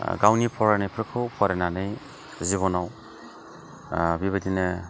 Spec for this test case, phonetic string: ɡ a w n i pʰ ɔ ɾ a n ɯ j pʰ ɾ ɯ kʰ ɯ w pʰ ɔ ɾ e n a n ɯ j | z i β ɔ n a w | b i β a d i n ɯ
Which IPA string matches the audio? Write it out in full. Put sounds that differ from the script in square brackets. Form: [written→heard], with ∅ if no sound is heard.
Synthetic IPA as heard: ɡ a w n i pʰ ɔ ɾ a n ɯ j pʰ ɾ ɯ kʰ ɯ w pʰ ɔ ɾ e n a n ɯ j | z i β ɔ n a w | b i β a d i n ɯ

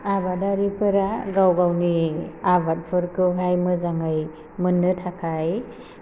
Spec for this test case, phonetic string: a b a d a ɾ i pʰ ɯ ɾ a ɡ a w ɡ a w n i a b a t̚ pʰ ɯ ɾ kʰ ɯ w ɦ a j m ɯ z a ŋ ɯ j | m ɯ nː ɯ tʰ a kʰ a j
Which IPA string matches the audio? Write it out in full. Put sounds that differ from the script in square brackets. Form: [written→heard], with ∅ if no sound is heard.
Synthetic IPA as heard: a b a d a ɾ i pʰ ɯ ɾ a ɡ a w ɡ a w n i a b a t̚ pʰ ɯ ɾ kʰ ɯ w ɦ a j m ɯ z a ŋ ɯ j | m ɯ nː ɯ tʰ a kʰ a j

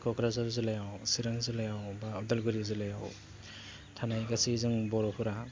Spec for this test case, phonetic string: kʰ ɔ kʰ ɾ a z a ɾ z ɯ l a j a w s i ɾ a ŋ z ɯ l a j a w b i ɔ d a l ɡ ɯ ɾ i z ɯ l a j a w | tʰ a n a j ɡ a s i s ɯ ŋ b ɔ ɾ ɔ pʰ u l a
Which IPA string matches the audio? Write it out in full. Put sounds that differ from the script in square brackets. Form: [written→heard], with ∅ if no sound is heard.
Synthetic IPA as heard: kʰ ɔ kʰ ɾ a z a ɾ z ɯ l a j a w s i ɾ a ŋ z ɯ l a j a w b [i→a] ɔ d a l ɡ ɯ ɾ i z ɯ l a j a w | tʰ a n a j ɡ a s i [s→z] ɯ ŋ b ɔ ɾ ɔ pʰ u [l→ɾ] a

